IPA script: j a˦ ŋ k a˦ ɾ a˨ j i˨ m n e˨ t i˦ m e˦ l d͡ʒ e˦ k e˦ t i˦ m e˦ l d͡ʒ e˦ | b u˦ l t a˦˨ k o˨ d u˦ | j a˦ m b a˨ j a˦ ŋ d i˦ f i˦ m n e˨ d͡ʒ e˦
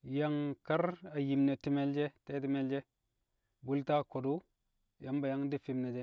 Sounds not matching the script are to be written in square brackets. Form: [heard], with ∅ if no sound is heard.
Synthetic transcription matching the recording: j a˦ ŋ k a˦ ɾ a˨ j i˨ m n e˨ t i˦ m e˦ l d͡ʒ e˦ [t] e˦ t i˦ m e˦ l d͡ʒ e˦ | b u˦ l t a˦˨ k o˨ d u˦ | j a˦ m b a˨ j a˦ ŋ d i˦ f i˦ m n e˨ d͡ʒ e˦